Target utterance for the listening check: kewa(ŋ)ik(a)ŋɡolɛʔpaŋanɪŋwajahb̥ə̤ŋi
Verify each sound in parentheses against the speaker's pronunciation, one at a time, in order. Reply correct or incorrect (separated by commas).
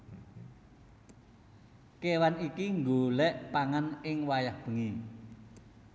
incorrect, incorrect